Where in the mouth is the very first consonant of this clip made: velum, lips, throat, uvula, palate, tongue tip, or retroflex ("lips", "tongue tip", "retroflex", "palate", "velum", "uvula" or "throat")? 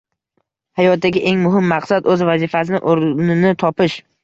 throat